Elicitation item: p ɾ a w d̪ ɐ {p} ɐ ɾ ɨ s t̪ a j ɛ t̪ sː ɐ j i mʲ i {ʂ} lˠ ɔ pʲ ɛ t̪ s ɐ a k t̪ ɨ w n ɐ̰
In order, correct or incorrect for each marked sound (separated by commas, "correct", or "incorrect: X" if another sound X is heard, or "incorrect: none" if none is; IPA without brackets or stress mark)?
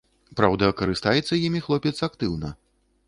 incorrect: k, incorrect: x